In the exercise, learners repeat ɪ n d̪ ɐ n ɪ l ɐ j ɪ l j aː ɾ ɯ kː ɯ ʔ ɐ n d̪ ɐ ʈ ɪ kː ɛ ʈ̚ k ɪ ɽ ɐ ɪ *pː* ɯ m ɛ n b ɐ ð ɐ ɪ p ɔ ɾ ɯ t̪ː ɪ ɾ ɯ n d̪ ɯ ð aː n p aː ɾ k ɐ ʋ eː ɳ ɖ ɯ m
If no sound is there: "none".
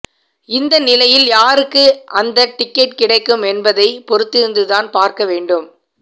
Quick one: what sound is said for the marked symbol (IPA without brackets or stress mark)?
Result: kː